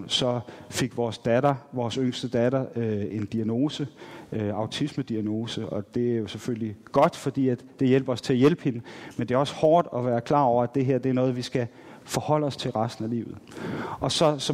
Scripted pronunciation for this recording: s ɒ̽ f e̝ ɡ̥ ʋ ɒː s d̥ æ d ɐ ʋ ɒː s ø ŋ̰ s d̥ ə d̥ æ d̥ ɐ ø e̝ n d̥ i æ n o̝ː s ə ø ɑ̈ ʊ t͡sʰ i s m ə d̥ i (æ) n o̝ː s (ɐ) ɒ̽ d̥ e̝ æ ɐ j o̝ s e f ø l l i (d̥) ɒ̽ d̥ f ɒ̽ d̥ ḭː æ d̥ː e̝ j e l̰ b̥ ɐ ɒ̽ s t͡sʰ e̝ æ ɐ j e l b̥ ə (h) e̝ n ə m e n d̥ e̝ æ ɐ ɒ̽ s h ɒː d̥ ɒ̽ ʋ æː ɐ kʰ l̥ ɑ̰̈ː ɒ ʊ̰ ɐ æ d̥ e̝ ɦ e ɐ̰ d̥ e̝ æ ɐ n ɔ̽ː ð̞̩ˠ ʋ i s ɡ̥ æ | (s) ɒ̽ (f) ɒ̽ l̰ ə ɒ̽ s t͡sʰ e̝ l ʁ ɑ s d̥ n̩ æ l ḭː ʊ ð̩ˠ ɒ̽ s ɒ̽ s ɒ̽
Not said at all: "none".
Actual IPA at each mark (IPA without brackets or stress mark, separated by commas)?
æ, ə, ɡ̥, h, f, h